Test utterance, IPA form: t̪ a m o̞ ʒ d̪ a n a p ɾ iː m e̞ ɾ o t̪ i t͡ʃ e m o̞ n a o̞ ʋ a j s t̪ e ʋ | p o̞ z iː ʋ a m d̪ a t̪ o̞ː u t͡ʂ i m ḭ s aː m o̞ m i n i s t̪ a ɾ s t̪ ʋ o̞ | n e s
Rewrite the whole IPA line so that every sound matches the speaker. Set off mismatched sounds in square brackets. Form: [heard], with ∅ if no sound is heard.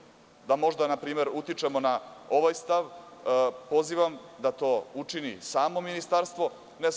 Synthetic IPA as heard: [d̪] a m o̞ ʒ d̪ a n a p ɾ iː m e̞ ɾ [u] t̪ i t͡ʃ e m o̞ n a o̞ ʋ a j s t̪ [a] ʋ | p o̞ z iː ʋ a m d̪ a t̪ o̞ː u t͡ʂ i [n] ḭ s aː m o̞ m i n i s t̪ a ɾ s t̪ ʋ o̞ | n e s